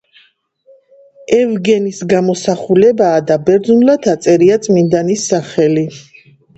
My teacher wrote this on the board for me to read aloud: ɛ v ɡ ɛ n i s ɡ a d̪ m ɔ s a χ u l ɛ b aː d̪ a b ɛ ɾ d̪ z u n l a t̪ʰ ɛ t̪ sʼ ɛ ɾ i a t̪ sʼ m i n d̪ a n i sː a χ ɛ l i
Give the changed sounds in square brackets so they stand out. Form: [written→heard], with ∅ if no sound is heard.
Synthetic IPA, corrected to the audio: ɛ v ɡ ɛ n i s ɡ a [d̪→∅] m ɔ s a χ u l ɛ b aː d̪ a b ɛ ɾ d̪ z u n l a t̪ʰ [ɛ→a] t̪ sʼ ɛ ɾ i a t̪ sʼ m i n d̪ a n i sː a χ ɛ l i